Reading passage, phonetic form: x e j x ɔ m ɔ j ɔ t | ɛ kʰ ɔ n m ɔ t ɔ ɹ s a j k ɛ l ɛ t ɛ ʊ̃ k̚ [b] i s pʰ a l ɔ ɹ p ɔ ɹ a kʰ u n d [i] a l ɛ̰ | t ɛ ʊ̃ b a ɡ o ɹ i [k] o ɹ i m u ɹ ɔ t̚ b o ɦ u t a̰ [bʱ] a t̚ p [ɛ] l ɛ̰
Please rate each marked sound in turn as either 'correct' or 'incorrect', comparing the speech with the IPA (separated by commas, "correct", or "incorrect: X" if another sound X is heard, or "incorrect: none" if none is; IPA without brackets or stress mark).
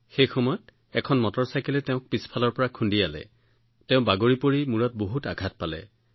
incorrect: p, correct, incorrect: p, incorrect: ɡʱ, incorrect: a